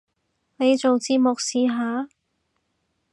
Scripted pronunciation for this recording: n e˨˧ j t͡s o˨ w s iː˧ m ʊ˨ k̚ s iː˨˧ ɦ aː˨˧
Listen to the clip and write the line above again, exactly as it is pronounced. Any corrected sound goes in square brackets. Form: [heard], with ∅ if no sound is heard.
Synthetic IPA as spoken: n e˨˧ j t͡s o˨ w [t͡s] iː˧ m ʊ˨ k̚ s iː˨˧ ɦ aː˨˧